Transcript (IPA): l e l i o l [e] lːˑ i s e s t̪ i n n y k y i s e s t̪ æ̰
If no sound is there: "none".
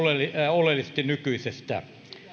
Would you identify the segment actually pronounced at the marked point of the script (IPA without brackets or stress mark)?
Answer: e